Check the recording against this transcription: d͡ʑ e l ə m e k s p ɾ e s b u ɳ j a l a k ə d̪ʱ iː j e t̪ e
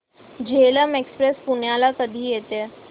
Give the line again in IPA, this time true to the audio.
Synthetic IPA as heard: d͡ʑ e l ə m e k s p ɾ e s p u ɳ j a l a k ə d̪ʱ iː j e t̪ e